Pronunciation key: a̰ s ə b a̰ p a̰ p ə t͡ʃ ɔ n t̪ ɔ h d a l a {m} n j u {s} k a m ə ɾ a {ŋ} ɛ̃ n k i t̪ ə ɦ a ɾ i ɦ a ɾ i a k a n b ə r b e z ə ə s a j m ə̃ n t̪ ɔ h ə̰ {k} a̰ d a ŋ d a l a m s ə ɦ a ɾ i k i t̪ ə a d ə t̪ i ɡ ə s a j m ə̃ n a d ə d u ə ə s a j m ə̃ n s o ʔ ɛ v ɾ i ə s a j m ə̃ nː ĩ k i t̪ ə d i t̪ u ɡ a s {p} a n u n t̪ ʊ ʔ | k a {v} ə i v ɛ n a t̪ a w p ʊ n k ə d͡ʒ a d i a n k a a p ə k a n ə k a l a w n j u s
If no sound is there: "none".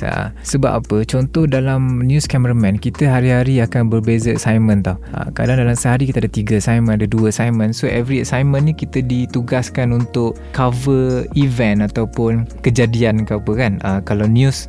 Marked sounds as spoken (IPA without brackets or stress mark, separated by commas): m, s, m, k, k, v